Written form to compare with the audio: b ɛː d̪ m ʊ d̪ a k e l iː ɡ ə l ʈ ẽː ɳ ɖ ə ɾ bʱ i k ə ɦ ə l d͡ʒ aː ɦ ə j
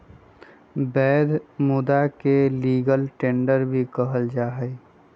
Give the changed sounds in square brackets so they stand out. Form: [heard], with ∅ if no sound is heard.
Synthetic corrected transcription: b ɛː d̪ m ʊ d̪ a k e l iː ɡ ə l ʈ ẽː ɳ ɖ ə ɾ bʱ i k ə ɦ ə l d͡ʒ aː ɦ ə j